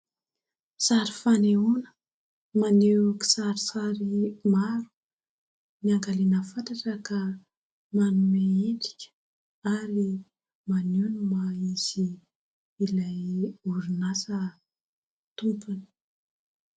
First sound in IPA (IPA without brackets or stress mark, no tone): s